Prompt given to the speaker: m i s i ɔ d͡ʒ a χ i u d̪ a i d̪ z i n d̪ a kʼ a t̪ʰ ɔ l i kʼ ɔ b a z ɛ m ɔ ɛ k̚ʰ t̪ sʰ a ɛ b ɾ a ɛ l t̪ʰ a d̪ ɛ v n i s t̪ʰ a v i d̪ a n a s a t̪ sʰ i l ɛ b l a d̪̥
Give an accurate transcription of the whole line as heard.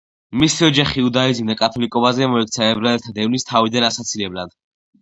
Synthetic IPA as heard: m i s i ɔ d͡ʒ a χ i u d̪ a i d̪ z i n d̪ a kʼ a t̪ʰ ɔ l i kʼ ɔ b a z ɛ m ɔ ɛ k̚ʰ t̪ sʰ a ɛ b ɾ a ɛ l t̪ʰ a d̪ ɛ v n i s t̪ʰ a v i d̪ a n a s a t̪ sʰ i l ɛ b l a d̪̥